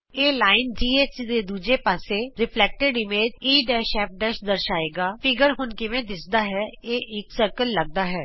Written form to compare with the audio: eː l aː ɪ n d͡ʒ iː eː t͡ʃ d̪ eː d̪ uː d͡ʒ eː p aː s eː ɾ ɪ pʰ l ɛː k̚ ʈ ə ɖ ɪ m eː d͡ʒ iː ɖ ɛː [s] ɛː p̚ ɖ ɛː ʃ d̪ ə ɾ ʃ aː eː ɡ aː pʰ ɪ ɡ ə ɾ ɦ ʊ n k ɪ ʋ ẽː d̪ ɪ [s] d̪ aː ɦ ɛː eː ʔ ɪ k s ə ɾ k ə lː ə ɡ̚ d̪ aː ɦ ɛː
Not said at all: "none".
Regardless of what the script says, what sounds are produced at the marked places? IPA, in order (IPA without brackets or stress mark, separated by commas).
ʃ, s